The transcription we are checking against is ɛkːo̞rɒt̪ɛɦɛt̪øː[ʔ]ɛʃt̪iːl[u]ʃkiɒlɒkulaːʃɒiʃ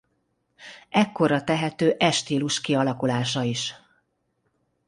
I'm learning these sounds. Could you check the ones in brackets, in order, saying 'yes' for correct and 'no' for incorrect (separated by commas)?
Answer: yes, yes